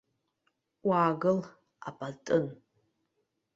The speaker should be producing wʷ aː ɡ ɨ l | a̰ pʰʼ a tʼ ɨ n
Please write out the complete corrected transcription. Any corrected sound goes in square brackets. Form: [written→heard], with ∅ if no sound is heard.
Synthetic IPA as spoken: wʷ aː ɡ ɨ l | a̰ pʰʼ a tʼ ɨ n